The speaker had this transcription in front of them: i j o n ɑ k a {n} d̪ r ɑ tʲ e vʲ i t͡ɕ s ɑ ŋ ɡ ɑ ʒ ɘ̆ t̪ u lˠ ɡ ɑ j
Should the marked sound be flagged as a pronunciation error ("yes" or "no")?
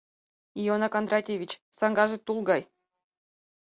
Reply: no